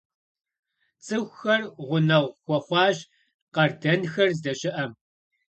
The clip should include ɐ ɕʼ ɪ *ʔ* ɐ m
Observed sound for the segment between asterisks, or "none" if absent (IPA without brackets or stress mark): ʔ